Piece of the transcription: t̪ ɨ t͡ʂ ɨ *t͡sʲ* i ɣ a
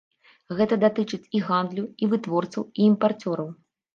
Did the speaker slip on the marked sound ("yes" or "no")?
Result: no